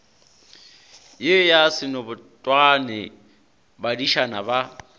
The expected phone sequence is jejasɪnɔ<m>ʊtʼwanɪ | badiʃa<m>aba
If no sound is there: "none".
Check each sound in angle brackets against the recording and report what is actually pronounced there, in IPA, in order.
b, n

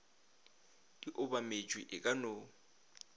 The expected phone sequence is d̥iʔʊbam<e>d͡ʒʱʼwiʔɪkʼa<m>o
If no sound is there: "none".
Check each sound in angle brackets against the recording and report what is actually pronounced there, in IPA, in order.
e, n

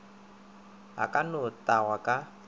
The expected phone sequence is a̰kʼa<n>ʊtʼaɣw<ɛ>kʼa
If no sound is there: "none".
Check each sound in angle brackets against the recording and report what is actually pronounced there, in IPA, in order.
n, a

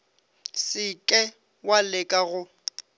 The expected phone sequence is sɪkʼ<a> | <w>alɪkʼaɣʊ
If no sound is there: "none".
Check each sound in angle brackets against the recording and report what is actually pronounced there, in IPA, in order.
ɛ, w

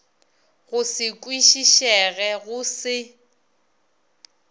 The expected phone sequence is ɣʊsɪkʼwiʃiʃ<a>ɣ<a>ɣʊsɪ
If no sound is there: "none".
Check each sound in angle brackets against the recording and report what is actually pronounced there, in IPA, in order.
ɛ, ɛ

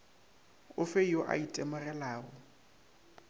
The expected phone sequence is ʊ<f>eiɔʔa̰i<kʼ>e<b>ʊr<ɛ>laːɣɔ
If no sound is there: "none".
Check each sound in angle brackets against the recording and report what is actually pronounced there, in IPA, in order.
f, tʼ, m, ɛ

